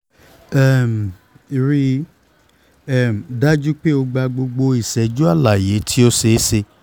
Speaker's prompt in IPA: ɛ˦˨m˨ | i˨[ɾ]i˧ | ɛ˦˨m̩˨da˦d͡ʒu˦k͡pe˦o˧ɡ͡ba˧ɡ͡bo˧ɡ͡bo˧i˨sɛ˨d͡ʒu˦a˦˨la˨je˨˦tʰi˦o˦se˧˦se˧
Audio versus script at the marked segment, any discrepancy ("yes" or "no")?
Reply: no